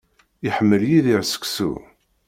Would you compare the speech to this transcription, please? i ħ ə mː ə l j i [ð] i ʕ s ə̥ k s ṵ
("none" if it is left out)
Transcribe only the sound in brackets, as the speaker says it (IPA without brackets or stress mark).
ð